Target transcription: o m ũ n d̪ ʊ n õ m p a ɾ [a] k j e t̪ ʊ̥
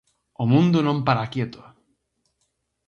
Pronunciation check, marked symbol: correct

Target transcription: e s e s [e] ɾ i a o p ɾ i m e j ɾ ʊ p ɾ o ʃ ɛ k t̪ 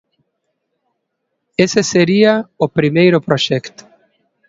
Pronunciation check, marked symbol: correct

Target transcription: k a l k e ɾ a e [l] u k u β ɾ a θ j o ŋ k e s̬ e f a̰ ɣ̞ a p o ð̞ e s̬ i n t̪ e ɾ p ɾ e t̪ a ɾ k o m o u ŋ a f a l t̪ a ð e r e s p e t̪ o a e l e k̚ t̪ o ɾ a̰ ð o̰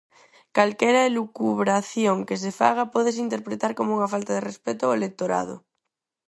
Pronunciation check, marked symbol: correct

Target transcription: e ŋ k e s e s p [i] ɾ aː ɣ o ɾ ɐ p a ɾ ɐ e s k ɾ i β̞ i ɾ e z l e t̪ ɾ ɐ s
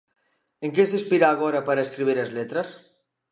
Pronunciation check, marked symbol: correct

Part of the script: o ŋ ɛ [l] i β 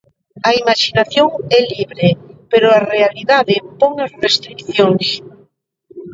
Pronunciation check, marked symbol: correct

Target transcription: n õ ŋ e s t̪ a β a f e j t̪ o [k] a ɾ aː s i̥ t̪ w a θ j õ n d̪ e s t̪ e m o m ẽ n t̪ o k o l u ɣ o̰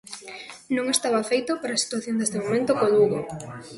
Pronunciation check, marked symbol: incorrect: p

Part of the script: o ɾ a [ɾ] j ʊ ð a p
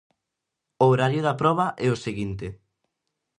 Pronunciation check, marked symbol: correct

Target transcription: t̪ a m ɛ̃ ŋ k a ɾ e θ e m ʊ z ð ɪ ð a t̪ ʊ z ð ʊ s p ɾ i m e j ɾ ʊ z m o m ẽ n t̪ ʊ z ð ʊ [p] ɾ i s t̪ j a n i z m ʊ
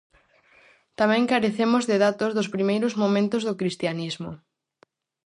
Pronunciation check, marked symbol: incorrect: k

